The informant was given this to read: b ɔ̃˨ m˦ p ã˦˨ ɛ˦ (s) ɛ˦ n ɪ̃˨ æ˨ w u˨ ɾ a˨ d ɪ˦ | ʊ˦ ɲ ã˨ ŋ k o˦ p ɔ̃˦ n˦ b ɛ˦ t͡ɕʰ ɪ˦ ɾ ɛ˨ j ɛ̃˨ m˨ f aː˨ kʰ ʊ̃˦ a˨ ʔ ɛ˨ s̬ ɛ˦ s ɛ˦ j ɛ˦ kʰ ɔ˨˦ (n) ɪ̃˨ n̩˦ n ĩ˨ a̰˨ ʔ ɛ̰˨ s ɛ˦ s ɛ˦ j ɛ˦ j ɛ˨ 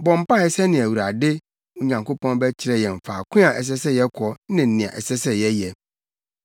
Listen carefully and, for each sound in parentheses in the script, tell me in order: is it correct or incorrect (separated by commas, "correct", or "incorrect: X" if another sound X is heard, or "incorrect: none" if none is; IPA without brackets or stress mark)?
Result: correct, correct